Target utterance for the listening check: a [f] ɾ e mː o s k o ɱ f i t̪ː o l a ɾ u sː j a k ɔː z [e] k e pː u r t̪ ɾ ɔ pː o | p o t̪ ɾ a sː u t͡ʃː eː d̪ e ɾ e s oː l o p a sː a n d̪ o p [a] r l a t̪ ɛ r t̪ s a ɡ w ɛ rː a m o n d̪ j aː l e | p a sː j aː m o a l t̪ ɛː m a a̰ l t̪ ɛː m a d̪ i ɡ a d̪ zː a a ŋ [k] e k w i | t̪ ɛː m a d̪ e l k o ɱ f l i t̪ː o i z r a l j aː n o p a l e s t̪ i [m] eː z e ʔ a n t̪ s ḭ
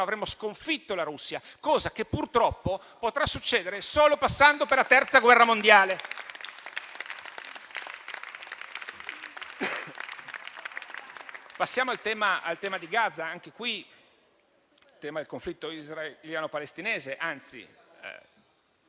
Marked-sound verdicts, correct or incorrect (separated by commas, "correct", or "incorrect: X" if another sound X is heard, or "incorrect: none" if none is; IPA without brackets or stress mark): incorrect: v, incorrect: a, incorrect: e, correct, incorrect: n